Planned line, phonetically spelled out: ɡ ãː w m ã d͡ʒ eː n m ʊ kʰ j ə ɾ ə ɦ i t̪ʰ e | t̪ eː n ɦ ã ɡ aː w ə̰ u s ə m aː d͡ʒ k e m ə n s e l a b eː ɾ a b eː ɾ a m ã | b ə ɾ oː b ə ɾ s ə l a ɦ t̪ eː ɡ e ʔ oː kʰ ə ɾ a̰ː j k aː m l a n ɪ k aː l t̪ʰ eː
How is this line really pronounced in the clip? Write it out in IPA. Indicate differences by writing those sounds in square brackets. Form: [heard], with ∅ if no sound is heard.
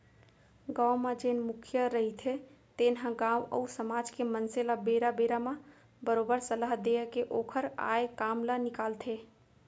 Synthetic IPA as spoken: ɡ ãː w m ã d͡ʒ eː n m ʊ kʰ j ə ɾ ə ɦ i t̪ʰ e | t̪ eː n ɦ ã ɡ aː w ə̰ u s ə m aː d͡ʒ k e m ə n s e l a b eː ɾ a b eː ɾ a m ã | b ə ɾ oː b ə ɾ s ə l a ɦ [d̪] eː [k] e ʔ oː kʰ ə ɾ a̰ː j k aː m l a n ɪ k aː l t̪ʰ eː